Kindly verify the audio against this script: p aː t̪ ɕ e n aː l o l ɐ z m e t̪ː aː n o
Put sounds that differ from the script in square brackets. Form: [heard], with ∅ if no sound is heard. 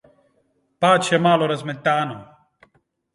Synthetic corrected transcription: p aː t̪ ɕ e [m] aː l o [ɾ] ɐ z m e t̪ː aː n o